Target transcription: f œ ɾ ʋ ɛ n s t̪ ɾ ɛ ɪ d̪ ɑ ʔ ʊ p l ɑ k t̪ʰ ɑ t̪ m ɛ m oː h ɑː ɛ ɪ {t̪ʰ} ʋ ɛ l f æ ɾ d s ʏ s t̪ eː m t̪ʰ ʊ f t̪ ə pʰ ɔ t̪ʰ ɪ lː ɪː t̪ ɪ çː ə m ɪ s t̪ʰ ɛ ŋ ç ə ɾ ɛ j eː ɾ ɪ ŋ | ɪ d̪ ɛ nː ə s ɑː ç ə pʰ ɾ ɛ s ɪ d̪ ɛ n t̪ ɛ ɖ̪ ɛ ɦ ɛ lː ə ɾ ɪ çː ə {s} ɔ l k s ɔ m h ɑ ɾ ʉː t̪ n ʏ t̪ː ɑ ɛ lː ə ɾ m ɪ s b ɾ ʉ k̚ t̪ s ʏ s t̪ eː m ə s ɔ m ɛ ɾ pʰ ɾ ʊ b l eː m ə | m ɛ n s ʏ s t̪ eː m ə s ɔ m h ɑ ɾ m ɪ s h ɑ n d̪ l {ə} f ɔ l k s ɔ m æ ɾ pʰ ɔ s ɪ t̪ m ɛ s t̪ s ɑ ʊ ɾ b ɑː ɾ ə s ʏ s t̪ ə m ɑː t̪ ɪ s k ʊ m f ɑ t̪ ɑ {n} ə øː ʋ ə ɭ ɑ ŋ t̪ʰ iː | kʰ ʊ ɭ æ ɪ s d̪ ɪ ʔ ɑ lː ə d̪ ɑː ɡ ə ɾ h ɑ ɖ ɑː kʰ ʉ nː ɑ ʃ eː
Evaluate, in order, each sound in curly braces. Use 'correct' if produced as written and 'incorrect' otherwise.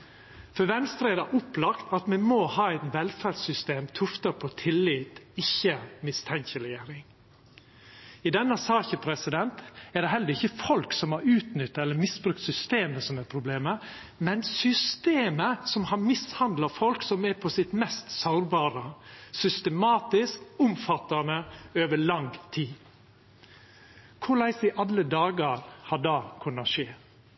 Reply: incorrect, incorrect, incorrect, correct

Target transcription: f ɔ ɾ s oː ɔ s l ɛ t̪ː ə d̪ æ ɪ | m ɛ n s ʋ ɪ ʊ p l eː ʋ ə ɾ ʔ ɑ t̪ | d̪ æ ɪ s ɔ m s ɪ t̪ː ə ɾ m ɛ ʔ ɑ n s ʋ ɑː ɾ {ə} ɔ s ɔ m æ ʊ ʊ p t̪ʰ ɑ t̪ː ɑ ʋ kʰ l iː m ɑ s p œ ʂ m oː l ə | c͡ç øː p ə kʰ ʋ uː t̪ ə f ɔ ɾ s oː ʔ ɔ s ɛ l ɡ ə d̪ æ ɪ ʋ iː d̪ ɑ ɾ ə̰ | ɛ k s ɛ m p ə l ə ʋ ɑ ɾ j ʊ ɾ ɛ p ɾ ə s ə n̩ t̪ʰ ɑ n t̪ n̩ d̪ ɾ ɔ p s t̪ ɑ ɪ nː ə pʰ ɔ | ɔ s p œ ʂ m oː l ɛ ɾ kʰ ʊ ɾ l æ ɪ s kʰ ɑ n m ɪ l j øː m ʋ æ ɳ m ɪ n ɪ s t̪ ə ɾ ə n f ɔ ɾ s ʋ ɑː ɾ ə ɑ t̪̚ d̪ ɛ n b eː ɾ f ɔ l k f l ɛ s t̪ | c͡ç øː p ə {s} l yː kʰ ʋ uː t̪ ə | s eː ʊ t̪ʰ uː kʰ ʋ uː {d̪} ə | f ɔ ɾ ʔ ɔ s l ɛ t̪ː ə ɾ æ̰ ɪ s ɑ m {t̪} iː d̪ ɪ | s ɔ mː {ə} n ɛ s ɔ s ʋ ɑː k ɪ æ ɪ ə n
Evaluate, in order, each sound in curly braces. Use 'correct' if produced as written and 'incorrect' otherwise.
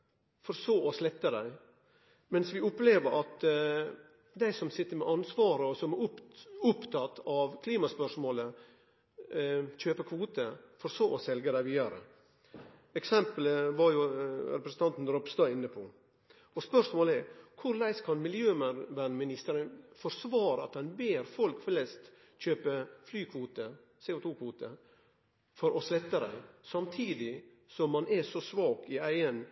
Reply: correct, incorrect, incorrect, incorrect, incorrect

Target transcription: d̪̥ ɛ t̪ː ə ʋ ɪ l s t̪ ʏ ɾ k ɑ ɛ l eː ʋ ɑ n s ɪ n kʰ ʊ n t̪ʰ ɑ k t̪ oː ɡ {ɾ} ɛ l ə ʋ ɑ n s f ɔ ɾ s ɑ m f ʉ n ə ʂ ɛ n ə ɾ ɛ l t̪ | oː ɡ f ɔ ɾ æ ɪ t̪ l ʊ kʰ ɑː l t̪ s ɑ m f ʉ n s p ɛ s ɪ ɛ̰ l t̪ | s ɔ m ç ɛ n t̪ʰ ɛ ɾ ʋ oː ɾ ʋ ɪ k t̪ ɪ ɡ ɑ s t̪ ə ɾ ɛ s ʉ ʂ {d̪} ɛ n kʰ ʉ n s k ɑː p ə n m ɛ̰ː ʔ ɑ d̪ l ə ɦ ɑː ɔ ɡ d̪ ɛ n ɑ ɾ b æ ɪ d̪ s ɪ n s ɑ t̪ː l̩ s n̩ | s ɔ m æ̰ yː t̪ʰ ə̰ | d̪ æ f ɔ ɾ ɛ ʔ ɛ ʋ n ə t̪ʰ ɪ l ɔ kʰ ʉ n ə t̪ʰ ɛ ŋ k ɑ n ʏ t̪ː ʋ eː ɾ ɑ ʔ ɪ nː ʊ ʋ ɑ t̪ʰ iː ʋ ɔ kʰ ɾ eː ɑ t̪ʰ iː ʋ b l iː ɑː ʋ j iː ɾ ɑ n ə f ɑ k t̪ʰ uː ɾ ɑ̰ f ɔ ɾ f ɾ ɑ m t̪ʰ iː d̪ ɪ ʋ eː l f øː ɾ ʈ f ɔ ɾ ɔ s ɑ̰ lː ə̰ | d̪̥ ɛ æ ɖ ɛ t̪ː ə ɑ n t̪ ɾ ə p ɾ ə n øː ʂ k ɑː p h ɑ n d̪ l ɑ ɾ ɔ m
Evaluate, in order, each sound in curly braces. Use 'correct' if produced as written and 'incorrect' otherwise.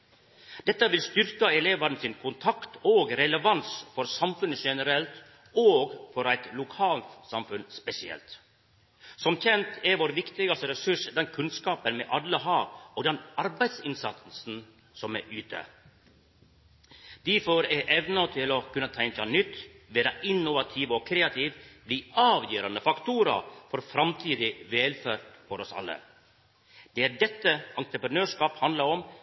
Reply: correct, correct

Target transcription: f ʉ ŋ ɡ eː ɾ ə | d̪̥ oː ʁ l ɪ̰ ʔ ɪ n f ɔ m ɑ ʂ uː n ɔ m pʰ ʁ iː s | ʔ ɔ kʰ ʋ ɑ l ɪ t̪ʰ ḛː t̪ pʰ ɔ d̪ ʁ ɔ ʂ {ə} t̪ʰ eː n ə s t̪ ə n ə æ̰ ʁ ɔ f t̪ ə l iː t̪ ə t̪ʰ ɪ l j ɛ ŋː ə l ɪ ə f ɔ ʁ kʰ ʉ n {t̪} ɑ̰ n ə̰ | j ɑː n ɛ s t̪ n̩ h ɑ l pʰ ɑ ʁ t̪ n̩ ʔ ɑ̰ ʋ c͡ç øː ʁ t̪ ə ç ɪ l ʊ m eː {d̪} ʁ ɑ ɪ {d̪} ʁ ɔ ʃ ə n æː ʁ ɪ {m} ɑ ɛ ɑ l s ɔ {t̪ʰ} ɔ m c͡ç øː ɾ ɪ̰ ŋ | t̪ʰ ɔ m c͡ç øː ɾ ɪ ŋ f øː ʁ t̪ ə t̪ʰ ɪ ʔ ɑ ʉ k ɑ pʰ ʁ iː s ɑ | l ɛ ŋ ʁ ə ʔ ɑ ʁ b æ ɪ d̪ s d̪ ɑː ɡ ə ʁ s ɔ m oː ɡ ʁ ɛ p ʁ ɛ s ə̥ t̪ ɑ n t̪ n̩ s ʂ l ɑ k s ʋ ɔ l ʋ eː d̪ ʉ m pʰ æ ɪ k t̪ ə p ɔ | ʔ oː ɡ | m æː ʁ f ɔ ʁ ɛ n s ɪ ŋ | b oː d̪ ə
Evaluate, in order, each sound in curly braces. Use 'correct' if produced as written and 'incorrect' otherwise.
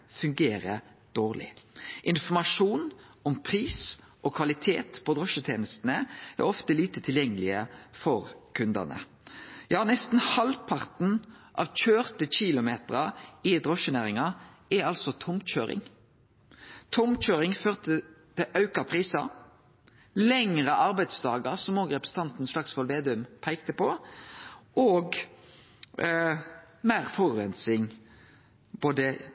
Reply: correct, incorrect, incorrect, correct, incorrect, correct

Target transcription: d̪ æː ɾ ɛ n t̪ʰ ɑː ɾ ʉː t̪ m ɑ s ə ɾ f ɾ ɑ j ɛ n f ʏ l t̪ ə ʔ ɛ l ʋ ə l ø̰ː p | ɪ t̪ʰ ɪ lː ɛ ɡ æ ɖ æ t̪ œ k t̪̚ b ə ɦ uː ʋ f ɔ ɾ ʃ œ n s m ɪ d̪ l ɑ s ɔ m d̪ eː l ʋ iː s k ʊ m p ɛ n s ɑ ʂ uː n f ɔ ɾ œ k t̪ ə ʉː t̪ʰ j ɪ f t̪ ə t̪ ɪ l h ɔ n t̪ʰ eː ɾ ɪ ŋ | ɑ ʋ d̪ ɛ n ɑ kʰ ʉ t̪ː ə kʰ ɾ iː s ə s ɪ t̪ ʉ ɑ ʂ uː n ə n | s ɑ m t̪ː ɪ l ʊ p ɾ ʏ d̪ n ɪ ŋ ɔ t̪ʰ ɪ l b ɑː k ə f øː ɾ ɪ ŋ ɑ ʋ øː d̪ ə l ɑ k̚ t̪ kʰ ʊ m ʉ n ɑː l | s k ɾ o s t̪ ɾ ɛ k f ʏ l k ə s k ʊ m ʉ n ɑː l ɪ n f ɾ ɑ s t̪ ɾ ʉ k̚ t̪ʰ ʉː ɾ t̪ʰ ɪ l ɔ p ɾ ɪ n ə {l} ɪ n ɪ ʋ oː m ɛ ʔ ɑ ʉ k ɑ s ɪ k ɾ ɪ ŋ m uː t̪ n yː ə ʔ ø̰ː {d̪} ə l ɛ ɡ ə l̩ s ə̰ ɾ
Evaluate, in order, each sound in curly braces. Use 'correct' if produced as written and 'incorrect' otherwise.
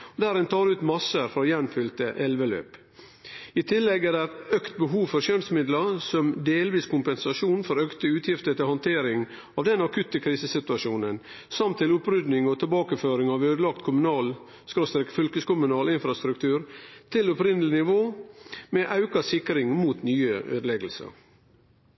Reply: correct, correct

